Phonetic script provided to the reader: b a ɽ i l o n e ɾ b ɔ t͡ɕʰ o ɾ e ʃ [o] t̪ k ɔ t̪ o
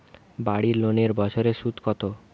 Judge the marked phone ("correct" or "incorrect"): incorrect